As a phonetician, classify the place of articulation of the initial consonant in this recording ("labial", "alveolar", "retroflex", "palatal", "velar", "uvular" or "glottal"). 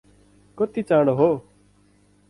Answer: velar